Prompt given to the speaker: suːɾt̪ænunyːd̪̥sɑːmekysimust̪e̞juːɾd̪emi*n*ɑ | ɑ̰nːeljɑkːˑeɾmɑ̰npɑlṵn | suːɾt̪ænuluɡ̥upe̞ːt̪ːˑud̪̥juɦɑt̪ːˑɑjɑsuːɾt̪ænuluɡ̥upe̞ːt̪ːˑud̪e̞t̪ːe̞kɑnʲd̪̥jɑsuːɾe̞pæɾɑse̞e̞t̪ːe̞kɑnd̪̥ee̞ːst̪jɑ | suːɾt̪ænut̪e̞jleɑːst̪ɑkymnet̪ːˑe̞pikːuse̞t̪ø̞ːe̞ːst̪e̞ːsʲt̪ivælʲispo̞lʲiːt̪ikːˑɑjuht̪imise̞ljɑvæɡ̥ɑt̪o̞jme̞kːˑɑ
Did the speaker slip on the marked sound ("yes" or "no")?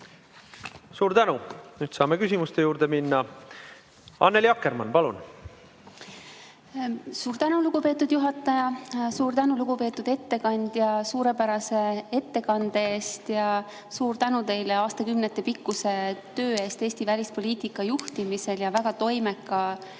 yes